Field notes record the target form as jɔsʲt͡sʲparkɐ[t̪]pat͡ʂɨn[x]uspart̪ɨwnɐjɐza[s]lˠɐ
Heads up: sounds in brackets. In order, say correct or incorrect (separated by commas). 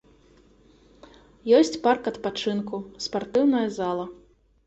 correct, incorrect, incorrect